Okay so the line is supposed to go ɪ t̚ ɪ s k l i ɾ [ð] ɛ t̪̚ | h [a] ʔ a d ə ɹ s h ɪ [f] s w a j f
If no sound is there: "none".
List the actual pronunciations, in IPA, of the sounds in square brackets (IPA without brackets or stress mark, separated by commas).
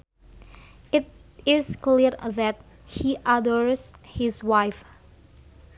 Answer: ð, i, none